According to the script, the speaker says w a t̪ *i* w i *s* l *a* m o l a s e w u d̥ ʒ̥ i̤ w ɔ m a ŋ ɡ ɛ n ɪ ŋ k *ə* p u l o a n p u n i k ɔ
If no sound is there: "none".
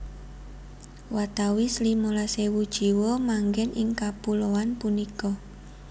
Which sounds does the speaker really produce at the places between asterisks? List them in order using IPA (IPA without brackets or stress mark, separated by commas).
a, s, i, a